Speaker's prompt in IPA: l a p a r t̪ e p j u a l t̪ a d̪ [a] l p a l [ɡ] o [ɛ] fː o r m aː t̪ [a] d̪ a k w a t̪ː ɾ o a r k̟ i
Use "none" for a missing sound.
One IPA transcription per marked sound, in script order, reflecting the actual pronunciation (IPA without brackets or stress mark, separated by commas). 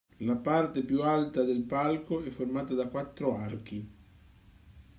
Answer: e, k, ɛ, a